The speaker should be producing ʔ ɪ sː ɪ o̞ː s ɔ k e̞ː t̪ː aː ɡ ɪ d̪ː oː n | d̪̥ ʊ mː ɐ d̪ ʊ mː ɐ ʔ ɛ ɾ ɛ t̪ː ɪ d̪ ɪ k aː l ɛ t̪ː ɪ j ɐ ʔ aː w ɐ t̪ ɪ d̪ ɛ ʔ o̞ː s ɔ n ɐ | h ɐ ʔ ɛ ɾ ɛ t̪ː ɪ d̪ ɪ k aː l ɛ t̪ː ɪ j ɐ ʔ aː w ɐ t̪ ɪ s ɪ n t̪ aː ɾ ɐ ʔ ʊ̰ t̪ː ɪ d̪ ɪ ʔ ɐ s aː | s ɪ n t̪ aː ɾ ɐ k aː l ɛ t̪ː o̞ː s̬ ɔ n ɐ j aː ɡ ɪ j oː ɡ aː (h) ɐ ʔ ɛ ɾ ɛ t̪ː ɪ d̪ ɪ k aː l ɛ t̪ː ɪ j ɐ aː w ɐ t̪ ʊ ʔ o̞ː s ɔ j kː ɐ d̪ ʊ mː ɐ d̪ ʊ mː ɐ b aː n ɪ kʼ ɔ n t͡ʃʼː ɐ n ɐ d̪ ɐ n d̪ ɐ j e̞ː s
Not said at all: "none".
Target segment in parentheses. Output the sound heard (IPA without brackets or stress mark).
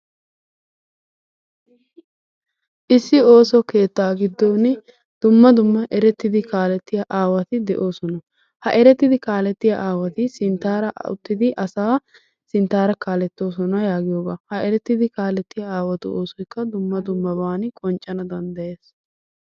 h